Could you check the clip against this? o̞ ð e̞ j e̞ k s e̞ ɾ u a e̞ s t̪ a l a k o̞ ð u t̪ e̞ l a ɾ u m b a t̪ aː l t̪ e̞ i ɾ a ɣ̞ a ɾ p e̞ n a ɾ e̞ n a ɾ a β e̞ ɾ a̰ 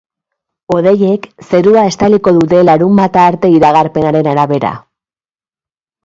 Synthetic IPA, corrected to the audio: o̞ ð e̞ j e̞ k s e̞ ɾ u a e̞ s t̪ a l i k o̞ ð u t̪ e̞ l a ɾ u m b a t̪ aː ɾ t̪ e̞ i ɾ a ɣ̞ a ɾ p e̞ n a ɾ e̞ n a ɾ a β e̞ ɾ a̰